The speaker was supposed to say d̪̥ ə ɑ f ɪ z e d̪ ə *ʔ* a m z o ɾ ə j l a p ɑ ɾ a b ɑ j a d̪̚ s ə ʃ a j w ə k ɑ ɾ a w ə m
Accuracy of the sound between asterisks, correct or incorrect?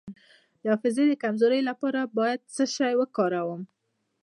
incorrect